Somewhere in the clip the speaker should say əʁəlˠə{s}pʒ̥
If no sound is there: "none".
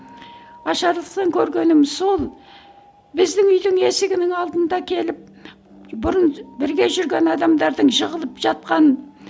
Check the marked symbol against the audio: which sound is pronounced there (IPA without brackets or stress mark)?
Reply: none